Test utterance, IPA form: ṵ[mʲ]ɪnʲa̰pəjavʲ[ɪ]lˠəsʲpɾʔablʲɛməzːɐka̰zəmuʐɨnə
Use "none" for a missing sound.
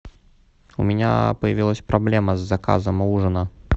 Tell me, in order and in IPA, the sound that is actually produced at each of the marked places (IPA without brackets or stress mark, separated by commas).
mʲ, i